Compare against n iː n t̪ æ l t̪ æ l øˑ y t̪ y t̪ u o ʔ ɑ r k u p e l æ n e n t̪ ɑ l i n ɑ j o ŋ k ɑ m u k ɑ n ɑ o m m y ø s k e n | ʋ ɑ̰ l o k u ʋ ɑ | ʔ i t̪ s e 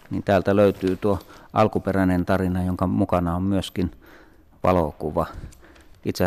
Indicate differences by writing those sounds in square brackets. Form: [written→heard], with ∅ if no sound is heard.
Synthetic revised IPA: n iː n t̪ [æ→æː] l t̪ æ l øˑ y t̪ [y→yː] t̪ u o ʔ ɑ [r→l] k u p e [l→r] æ n e n t̪ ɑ [l→r] i n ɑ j o ŋ k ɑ m u k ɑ n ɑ o m m y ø s k [e→i] n | ʋ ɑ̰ l o k u ʋ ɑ | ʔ i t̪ s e